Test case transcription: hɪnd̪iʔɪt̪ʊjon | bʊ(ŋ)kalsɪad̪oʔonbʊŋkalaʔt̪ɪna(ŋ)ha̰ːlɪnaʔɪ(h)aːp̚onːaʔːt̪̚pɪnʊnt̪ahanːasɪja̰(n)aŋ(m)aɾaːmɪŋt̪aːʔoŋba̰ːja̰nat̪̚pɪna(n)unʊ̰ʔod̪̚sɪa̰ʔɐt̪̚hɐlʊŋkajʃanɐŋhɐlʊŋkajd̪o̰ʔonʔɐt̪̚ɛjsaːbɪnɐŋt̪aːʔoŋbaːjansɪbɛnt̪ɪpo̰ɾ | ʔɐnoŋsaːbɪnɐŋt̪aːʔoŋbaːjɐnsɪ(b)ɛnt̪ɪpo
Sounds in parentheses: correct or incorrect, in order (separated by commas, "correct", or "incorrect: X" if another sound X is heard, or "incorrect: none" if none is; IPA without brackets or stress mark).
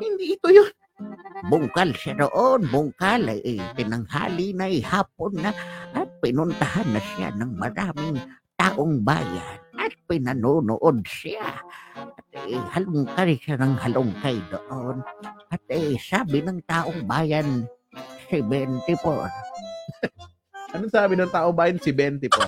correct, correct, correct, correct, correct, correct, correct